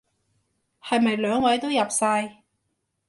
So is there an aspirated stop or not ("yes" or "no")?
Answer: no